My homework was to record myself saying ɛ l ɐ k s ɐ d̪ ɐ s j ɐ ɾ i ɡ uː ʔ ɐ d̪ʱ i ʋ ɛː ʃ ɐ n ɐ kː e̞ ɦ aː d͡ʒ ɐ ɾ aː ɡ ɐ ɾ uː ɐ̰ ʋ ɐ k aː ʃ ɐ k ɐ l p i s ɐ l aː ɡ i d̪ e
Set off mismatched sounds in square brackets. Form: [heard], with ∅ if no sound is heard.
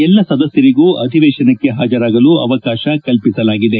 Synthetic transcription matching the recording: ɛ [lː] ɐ [∅] s ɐ d̪ ɐ s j ɐ ɾ i ɡ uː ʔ ɐ d̪ʱ i ʋ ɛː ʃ ɐ n ɐ kː e̞ ɦ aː d͡ʒ ɐ ɾ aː ɡ ɐ [l] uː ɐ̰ ʋ ɐ k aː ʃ ɐ k ɐ l p i s ɐ l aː ɡ i d̪ e